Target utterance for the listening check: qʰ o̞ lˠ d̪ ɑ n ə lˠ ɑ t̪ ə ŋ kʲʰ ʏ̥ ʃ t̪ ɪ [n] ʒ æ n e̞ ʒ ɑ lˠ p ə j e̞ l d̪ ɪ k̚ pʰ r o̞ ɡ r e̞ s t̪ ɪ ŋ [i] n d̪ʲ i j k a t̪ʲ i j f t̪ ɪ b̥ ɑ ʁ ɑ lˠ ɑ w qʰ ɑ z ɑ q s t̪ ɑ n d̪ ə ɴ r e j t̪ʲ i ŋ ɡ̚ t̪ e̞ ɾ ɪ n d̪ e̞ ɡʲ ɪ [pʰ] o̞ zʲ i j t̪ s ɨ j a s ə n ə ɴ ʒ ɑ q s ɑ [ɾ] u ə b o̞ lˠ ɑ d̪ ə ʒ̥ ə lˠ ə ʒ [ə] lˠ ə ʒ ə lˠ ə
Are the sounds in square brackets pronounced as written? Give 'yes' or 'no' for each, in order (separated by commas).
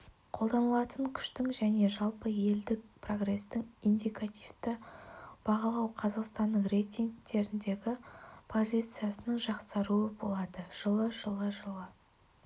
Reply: no, yes, yes, yes, yes